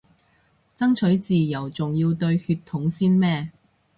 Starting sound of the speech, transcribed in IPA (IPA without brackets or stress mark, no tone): t͡s